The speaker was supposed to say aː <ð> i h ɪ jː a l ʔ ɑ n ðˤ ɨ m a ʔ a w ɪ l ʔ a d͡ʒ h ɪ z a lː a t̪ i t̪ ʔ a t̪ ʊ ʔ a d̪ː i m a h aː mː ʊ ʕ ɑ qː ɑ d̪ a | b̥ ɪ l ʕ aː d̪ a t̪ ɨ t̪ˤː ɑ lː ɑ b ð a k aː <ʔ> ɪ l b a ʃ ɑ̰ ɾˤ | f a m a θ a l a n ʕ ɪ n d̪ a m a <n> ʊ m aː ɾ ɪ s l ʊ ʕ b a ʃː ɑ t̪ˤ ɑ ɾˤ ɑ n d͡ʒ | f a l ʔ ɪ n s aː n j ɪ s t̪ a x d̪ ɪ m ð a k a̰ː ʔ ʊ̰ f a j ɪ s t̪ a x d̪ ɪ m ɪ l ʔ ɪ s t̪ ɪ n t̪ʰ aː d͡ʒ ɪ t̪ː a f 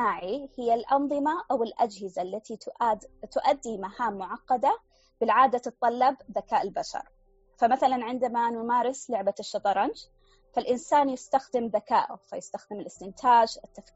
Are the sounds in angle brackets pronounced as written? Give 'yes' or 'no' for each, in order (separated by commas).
no, yes, yes